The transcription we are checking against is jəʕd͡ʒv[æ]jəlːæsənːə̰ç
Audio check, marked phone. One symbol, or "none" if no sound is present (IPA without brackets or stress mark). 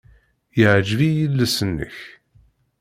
i